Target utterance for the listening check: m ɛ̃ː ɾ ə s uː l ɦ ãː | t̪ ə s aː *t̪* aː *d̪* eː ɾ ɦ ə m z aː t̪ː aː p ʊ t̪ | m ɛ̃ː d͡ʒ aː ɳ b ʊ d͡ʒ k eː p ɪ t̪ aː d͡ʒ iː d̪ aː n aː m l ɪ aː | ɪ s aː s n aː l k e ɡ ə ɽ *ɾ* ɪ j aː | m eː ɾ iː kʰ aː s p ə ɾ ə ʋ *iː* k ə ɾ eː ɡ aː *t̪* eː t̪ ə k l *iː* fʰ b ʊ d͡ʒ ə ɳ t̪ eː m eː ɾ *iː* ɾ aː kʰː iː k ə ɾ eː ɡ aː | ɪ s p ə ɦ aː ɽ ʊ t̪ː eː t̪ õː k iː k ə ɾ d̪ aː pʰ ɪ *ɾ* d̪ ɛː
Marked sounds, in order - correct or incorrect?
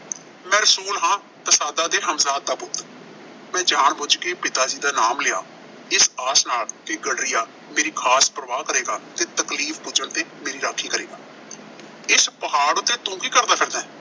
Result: incorrect: d̪, correct, correct, incorrect: aː, correct, correct, correct, correct

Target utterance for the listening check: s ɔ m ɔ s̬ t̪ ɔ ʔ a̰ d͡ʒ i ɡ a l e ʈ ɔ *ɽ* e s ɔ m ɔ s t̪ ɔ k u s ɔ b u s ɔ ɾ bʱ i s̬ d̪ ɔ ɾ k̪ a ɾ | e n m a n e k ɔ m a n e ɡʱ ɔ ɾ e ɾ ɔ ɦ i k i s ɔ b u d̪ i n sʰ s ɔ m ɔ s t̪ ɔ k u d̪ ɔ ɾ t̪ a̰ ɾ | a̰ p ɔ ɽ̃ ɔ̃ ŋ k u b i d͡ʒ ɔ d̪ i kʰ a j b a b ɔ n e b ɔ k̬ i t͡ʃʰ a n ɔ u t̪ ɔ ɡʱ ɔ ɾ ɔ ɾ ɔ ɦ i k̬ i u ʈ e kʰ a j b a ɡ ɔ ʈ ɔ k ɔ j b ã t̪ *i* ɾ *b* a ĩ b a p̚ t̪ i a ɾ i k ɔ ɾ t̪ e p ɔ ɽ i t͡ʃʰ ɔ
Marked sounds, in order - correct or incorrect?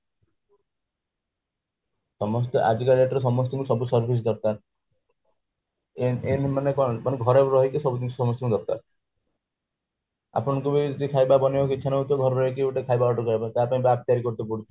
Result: incorrect: ɾ, incorrect: a, incorrect: p

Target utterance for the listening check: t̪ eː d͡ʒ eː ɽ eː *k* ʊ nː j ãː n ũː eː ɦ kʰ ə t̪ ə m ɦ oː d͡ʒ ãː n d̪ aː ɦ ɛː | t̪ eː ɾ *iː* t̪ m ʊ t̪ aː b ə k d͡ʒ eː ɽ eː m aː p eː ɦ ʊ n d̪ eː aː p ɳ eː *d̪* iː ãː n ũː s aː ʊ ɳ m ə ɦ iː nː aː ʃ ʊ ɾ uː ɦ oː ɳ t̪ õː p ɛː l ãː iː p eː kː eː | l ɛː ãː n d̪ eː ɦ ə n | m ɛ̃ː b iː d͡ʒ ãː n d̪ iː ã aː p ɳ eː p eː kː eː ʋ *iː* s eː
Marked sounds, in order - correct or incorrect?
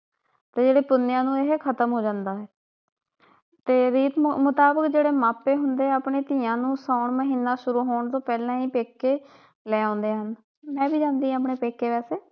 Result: incorrect: p, correct, incorrect: t̪, incorrect: ɛː

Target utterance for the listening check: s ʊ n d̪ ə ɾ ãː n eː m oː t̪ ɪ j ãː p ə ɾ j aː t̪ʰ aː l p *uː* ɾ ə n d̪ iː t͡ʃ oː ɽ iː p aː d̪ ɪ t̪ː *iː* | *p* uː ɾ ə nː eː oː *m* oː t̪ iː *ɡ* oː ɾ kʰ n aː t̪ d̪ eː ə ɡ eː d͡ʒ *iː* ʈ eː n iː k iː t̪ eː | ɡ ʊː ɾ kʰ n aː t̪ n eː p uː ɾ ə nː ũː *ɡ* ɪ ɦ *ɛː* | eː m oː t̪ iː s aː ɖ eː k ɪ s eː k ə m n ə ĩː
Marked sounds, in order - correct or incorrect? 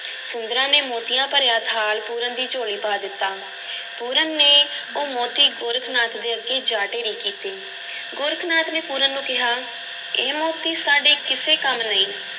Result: correct, incorrect: aː, correct, correct, correct, incorrect: aː, incorrect: k, incorrect: aː

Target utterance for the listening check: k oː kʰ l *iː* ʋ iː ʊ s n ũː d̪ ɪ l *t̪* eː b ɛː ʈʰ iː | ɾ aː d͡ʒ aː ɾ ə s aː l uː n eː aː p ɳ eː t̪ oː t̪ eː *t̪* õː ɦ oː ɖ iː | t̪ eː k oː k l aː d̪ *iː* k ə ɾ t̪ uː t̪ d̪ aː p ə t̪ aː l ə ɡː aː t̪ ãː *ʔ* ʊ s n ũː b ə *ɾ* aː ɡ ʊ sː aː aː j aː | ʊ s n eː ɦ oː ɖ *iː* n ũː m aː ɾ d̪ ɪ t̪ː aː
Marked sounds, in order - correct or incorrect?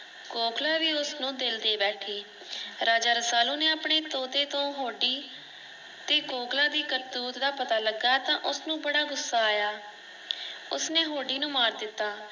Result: incorrect: aː, incorrect: d̪, correct, correct, correct, incorrect: ɽ, correct

